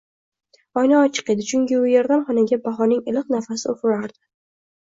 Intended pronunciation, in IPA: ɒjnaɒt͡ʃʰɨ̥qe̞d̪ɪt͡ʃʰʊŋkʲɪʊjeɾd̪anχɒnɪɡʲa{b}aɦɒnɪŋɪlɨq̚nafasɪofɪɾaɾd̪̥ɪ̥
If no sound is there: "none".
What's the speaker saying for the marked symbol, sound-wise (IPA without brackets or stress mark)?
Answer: b